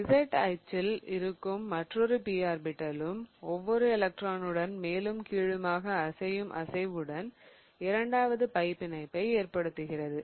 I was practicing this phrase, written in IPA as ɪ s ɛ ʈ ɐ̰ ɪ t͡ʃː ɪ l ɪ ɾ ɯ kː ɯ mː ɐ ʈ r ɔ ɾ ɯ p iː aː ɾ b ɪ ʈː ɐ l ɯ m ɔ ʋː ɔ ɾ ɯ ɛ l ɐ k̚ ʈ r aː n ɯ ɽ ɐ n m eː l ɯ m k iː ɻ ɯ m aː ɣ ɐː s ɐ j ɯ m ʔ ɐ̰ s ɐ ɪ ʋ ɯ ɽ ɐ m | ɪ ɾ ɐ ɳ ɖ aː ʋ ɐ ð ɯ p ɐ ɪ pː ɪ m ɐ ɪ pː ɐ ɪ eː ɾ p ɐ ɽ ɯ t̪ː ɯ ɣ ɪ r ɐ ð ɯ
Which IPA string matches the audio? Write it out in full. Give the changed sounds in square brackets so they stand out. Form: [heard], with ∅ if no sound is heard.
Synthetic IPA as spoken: ɪ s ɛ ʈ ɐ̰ ɪ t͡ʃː ɪ l ɪ ɾ ɯ kː ɯ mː ɐ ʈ r ɔ ɾ ɯ p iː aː ɾ b ɪ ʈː ɐ l ɯ m ɔ ʋː ɔ ɾ ɯ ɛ l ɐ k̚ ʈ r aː n ɯ ɽ ɐ n m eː l ɯ m k iː ɻ ɯ m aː ɣ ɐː s ɐ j ɯ m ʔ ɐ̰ s ɐ ɪ ʋ ɯ ɽ ɐ [n] | ɪ ɾ ɐ ɳ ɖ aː ʋ ɐ ð ɯ p ɐ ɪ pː ɪ [n] ɐ ɪ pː ɐ ɪ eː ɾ p ɐ ɽ ɯ t̪ː ɯ ɣ ɪ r ɐ ð ɯ

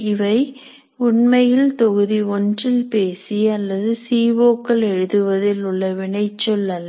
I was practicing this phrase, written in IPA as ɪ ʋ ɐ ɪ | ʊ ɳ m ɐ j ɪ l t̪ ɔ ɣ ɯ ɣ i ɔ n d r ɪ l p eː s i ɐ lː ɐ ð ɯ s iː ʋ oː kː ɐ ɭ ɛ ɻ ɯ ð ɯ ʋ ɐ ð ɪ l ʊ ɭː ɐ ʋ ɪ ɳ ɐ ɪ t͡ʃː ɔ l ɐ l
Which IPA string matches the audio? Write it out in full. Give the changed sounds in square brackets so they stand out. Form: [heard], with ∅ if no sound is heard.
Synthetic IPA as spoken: ɪ ʋ ɐ ɪ | ʊ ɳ m ɐ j ɪ l t̪ ɔ ɣ ɯ [ð] i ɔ n d r ɪ l p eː s i ɐ lː ɐ ð ɯ s iː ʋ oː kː ɐ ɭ ɛ ɻ ɯ ð ɯ ʋ ɐ ð ɪ l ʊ ɭː ɐ ʋ ɪ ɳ ɐ ɪ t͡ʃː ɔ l ɐ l

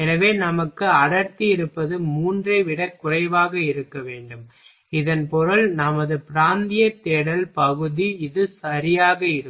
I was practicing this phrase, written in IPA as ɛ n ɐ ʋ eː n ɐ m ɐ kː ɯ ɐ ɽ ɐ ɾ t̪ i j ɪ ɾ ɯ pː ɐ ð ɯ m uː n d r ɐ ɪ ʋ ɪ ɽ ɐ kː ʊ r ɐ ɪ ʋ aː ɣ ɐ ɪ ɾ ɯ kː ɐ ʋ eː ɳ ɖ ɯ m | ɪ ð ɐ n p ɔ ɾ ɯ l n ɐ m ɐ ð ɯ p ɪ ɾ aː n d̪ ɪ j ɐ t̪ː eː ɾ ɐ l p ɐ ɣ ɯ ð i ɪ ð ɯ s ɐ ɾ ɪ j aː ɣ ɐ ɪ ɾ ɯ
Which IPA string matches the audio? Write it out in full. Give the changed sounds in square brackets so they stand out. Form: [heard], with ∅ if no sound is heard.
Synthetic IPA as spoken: ɛ n ɐ ʋ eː n ɐ m ɐ kː ɯ ɐ ɽ ɐ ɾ t̪ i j ɪ ɾ ɯ pː ɐ ð ɯ m uː n d r ɐ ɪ ʋ ɪ ɽ ɐ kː ʊ r ɐ ɪ ʋ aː ɣ ɐ ɪ ɾ ɯ kː ɐ ʋ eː ɳ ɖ ɯ m | ɪ ð ɐ n p ɔ ɾ ɯ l n ɐ m ɐ ð ɯ p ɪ ɾ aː n d̪ ɪ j ɐ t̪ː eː [ɽ] ɐ l p ɐ ɣ ɯ ð i ɪ ð ɯ s ɐ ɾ ɪ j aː ɣ ɐ ɪ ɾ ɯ

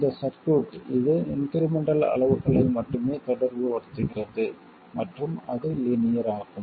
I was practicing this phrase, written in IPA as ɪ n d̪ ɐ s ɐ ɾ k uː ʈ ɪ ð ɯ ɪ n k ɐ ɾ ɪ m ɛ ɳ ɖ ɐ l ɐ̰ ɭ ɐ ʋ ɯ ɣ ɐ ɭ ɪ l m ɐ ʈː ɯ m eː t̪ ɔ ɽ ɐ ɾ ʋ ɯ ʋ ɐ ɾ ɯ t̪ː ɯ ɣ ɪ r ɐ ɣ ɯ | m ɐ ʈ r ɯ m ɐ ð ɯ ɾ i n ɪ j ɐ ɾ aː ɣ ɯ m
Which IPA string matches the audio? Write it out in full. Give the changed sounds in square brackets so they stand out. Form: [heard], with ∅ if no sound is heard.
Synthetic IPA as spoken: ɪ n d̪ ɐ s ɐ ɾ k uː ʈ ɪ ð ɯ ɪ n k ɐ ɾ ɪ m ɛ ɳ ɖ ɐ l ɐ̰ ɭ ɐ ʋ ɯ ɣ ɐ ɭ ɪ l m ɐ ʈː ɯ m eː t̪ ɔ ɽ ɐ ɾ ʋ ɯ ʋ ɐ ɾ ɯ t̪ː ɯ ɣ ɪ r ɐ [ð] ɯ | m ɐ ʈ r ɯ m ɐ ð ɯ [l] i n ɪ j ɐ ɾ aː ɣ ɯ m

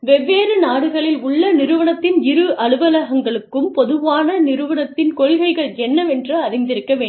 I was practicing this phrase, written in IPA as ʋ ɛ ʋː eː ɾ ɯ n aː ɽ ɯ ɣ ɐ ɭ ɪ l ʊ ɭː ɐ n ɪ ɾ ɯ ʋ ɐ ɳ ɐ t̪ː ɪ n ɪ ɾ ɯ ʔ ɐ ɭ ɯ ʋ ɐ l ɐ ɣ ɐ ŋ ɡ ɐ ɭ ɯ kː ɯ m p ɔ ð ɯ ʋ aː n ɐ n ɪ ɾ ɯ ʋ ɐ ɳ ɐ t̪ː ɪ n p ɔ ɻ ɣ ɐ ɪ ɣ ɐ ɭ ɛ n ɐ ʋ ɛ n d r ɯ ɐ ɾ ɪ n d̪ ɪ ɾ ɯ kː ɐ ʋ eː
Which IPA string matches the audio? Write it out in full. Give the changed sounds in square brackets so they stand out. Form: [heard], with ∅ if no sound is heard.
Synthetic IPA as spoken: ʋ ɛ ʋː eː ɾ ɯ n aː ɽ ɯ ɣ ɐ ɭ ɪ l ʊ ɭː ɐ n ɪ ɾ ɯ ʋ ɐ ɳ ɐ t̪ː ɪ n ɪ ɾ ɯ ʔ ɐ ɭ ɯ ʋ ɐ l ɐ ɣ ɐ ŋ ɡ ɐ ɭ ɯ kː ɯ m p ɔ ð ɯ ʋ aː n ɐ n ɪ ɾ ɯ ʋ ɐ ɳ ɐ t̪ː ɪ n [k] ɔ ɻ ɣ ɐ ɪ ɣ ɐ ɭ ɛ [nː] ɐ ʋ ɛ n d r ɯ ɐ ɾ ɪ n d̪ ɪ ɾ ɯ kː ɐ ʋ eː

